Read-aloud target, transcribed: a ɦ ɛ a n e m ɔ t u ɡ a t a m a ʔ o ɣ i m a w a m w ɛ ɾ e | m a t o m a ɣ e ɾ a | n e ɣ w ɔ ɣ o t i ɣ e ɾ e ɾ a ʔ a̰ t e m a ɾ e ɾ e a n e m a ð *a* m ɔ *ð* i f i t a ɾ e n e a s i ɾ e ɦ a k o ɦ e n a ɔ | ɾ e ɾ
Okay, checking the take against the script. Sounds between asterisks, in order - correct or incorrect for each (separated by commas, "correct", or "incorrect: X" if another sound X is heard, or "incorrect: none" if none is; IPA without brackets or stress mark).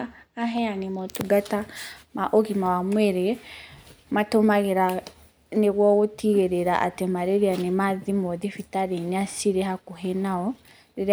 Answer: incorrect: i, correct